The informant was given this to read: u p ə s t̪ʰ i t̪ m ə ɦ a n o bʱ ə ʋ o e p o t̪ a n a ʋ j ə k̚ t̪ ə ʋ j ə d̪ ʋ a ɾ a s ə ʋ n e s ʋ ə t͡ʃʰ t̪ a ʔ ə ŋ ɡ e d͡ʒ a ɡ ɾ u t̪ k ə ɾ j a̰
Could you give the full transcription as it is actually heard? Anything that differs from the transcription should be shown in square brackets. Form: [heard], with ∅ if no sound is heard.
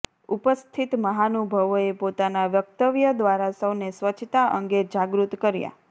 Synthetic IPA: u p ə s t̪ʰ i t̪ m ə ɦ a n [u] bʱ ə ʋ o e p o t̪ a n a ʋ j ə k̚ t̪ ə ʋ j ə d̪ ʋ a ɾ a s ə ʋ n e s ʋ ə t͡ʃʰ t̪ a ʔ ə ŋ ɡ e d͡ʒ a ɡ ɾ u t̪ k ə ɾ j a̰